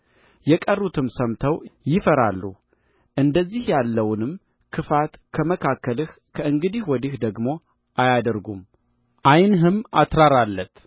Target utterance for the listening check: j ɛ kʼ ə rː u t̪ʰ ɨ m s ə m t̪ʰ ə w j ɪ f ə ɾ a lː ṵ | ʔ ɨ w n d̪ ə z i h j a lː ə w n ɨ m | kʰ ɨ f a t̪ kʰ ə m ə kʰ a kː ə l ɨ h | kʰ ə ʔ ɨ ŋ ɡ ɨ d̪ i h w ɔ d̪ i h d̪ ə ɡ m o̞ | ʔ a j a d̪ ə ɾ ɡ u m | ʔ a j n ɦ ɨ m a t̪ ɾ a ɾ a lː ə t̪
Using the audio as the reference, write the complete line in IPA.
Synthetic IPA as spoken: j ɛ kʼ ə rː u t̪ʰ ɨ m s ə m t̪ʰ ə w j ɪ f ə ɾ a lː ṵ | ʔ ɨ n d̪ ə zː i h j a lː ə w n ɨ m | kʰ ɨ f a t̪ kʰ ə m ə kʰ a kː ə l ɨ h | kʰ ə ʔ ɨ ŋ ɡ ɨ d̪ i h w ɔ d̪ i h d̪ ə ɡ m o̞ | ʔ a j a d̪ ə ɾ ɡ u m | ʔ a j n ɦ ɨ m a t̪ ɾ a ɾ a lː ə t̪

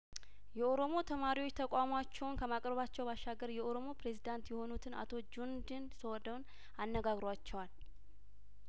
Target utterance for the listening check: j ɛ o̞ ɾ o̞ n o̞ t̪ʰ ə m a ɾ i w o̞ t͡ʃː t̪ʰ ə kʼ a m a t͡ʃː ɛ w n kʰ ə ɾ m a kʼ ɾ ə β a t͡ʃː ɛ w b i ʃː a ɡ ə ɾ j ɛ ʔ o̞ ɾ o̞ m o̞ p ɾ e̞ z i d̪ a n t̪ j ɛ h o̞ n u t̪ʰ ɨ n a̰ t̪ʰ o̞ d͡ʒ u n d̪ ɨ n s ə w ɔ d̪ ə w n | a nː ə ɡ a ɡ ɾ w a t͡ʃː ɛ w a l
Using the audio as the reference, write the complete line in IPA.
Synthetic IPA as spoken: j ɛ o̞ ɾ o̞ m o̞ t̪ʰ ə m a ɾ i w o̞ t͡ʃː t̪ʰ ə kʼ a m a t͡ʃː ɛ w n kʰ ə m a kʼ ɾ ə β a t͡ʃː ɛ w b a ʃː a ɡ ə ɾ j ɛ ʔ o̞ ɾ o̞ m o̞ p ɾ e̞ z i d̪ a n t̪ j ɛ h o̞ n u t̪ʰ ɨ n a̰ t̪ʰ o̞ d͡ʒ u n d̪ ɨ n s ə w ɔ d̪ ə w n | a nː ə ɡ a ɡ ɾ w a t͡ʃː ɛ w a l

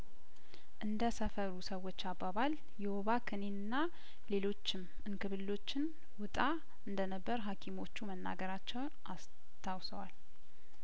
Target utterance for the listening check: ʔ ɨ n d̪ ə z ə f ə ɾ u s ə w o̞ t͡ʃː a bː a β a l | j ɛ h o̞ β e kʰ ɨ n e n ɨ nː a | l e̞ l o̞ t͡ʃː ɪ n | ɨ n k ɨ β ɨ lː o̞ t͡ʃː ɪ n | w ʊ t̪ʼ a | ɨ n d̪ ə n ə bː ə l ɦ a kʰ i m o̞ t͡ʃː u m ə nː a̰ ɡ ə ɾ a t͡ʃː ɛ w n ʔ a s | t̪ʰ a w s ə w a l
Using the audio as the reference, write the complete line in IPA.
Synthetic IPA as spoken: ʔ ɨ n d̪ ə s ə f ə ɾ u s ə w o̞ t͡ʃː a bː a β a l | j ɛ h o̞ β a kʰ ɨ n e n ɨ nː a | l e̞ l o̞ t͡ʃː ɪ m | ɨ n k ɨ β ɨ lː o̞ t͡ʃː ɪ n | w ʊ t̪ʼ a | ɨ n d̪ ə n ə bː ə ɾ ɦ a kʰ i m o̞ t͡ʃː u m ə nː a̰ ɡ ə ɾ a t͡ʃː ɛ w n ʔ a s | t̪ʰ a w s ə w a l

